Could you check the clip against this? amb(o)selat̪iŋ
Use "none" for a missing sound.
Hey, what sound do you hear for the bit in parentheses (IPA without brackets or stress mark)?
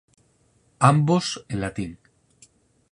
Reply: o